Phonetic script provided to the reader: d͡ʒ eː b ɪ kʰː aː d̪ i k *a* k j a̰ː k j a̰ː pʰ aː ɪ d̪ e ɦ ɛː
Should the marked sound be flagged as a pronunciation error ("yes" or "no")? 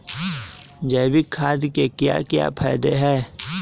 yes